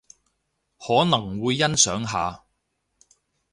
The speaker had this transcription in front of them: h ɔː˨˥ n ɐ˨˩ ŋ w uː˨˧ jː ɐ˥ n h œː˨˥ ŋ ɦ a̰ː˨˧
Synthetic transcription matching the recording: h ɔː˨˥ n ɐ˨˩ ŋ w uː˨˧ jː ɐ˥ n s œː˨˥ ŋ ɦ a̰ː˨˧